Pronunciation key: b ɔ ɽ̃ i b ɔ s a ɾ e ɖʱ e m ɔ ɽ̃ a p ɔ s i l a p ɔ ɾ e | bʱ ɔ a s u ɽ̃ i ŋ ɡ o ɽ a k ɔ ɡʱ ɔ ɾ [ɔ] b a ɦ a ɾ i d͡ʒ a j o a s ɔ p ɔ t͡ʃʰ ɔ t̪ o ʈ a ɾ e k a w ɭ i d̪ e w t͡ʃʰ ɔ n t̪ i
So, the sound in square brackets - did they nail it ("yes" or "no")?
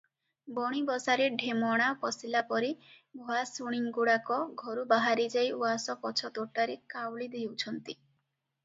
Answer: no